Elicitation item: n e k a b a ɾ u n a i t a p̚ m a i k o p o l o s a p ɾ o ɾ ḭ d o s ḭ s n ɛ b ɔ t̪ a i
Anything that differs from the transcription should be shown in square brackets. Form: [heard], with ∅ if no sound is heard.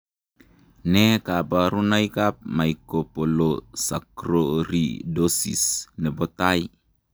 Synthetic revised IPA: n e k a b a ɾ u n a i [k] a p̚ m a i k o p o l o s a [k] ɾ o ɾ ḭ d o s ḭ s n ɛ b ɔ t̪ a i